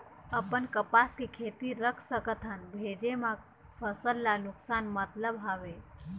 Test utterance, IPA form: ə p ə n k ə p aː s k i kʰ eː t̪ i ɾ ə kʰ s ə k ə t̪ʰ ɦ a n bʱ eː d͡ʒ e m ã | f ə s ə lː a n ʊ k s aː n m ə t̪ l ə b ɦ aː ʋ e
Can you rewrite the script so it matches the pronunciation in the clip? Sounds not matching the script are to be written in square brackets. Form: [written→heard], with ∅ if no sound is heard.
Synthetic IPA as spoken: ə p ə n k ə p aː s k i kʰ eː t̪ i ɾ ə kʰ s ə k ə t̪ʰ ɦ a n bʱ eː d͡ʒ e m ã | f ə s ə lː a n ʊ k s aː n m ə t̪ l ə b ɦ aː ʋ e